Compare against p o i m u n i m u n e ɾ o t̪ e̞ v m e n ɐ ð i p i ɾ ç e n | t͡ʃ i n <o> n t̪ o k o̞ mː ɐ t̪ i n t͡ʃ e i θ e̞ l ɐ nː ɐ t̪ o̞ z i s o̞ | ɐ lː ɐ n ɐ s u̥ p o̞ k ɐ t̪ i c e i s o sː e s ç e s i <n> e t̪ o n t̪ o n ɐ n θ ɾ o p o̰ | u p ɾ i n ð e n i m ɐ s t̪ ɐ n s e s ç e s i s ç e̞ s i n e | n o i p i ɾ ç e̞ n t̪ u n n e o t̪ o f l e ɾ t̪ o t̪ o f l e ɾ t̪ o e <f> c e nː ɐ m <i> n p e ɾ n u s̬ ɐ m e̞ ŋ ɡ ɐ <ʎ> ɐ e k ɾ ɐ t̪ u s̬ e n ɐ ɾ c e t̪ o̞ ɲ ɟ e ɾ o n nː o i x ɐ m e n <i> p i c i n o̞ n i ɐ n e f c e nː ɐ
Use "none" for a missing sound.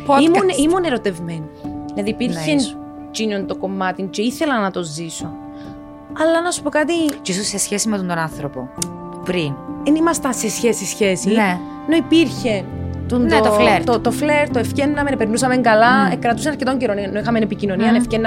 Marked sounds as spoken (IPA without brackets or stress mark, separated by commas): o, m, f, e, l, e